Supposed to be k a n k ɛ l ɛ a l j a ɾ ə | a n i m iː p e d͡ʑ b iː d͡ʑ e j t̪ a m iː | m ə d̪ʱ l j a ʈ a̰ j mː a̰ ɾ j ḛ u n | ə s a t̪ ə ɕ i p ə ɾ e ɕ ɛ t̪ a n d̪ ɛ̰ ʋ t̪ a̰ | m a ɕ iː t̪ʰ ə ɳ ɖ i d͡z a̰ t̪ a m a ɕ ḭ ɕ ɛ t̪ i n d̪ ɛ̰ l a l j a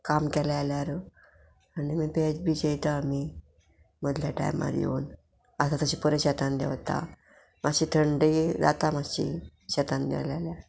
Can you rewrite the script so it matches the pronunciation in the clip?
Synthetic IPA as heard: k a m k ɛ l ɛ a l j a ɾ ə | a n i m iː p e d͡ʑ b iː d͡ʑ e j t̪ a m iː | m ə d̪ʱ l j a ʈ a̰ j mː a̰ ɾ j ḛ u n | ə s a t̪ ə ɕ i p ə ɾ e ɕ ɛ t̪ a n d̪ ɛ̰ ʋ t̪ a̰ | m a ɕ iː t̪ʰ ə ɳ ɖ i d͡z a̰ t̪ a m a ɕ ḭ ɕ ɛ t̪ a n d̪ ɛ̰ l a l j a